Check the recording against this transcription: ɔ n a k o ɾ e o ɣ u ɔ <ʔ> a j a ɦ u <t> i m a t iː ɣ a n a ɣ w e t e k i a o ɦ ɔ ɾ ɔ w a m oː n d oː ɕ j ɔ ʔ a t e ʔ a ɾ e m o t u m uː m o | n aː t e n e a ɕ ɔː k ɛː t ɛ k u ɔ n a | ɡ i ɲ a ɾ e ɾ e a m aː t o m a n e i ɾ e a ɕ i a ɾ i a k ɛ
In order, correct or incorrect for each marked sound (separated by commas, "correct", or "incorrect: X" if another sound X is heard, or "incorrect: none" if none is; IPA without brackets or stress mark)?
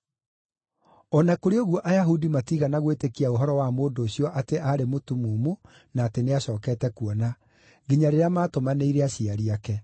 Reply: correct, incorrect: d